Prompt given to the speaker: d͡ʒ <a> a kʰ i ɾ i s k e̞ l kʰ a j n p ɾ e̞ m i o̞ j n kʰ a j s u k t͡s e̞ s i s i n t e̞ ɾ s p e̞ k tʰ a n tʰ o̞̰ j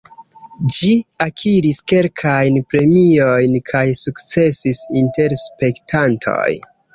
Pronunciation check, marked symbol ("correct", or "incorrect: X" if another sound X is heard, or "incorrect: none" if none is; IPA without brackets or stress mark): incorrect: i